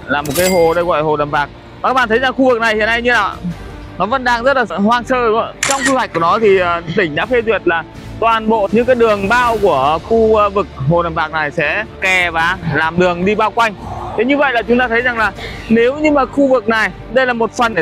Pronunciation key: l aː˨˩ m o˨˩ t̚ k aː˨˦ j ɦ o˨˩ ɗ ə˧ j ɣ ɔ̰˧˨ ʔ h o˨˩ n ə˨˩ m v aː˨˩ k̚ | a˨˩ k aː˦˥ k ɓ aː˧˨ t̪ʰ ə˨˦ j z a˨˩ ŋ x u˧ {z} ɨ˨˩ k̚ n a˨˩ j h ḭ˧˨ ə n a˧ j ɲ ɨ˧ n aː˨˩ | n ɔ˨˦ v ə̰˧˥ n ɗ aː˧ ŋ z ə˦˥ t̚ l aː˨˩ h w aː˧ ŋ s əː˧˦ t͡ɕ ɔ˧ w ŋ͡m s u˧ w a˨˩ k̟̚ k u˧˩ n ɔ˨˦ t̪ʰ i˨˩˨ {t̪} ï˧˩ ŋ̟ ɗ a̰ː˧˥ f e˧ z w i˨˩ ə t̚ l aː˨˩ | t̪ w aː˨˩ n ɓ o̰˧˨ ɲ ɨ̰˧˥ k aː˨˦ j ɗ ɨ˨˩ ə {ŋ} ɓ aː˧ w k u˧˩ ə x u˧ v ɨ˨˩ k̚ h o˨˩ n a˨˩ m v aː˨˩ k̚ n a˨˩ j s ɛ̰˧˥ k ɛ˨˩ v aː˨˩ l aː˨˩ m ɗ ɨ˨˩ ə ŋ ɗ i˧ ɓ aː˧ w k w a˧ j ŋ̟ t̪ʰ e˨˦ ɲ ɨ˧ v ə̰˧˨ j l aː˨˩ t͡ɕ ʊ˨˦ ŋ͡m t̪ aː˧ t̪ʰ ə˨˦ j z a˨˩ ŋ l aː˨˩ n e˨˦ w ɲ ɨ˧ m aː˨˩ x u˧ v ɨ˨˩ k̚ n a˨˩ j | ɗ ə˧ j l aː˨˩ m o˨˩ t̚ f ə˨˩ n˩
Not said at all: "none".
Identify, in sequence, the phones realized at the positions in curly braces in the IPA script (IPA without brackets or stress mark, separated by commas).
v, t̪, ŋ